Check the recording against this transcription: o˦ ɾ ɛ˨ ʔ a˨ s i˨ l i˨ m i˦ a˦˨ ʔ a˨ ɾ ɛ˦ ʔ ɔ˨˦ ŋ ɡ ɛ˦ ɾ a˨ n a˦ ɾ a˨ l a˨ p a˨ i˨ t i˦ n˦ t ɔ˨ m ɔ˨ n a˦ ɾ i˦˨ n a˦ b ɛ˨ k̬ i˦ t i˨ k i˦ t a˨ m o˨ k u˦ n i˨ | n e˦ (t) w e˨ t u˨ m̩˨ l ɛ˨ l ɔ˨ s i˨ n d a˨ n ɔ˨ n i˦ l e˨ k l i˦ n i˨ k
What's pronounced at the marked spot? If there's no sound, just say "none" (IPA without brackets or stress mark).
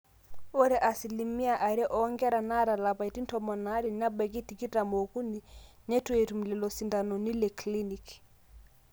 t